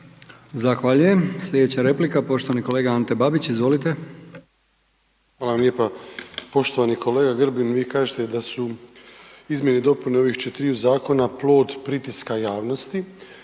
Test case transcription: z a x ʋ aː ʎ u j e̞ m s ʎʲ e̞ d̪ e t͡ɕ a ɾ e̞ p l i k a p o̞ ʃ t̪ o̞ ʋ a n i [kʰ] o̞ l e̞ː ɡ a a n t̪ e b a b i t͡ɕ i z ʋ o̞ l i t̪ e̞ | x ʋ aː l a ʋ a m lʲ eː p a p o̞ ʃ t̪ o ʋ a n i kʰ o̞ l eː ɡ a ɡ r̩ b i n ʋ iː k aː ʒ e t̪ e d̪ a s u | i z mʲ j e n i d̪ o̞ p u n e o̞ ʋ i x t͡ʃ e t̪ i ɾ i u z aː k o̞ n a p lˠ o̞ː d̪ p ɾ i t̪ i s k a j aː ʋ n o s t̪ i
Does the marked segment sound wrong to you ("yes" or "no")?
yes